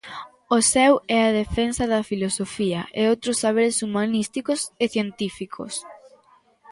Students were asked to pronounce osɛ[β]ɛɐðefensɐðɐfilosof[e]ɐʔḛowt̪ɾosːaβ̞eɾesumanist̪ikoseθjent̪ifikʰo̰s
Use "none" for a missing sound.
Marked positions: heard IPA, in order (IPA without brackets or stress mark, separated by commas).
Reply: w, i